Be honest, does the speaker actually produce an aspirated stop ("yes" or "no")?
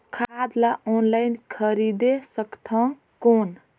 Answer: yes